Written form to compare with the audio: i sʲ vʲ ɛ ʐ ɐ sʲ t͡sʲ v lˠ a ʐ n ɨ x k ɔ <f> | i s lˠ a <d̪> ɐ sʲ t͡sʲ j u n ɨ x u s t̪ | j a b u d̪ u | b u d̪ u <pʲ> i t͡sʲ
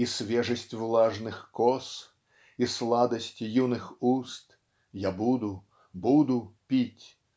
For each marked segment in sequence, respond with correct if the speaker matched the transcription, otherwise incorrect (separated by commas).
incorrect, correct, correct